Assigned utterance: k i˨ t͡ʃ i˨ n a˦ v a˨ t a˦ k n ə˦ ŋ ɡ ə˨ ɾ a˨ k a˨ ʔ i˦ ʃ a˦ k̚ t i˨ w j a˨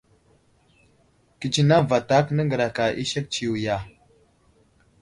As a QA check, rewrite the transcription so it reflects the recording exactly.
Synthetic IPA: k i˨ t͡ʃ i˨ n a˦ v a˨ t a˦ k n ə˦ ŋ ɡ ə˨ ɾ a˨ k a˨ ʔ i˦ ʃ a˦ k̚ t͡ʃ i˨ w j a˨